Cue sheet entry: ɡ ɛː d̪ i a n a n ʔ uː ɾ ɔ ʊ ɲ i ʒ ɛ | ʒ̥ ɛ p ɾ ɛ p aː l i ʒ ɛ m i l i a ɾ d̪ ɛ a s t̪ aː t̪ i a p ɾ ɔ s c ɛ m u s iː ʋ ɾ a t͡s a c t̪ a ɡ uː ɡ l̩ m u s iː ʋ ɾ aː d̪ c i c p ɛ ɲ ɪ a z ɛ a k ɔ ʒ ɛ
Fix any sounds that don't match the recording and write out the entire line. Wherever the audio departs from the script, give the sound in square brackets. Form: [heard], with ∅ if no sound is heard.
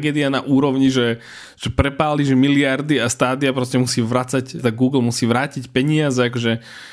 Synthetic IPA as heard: ɡ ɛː d̪ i a n a [∅] ʔ uː ɾ ɔ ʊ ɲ i ʒ ɛ | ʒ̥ ɛ p ɾ ɛ p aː l i ʒ ɛ m i l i a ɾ d̪ [i] a s t̪ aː [d̪] i a p ɾ ɔ s c ɛ m u s iː ʋ ɾ a t͡s a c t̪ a ɡ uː ɡ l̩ m u s iː ʋ ɾ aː [∅] c i c p ɛ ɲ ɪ a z ɛ a k ɔ ʒ ɛ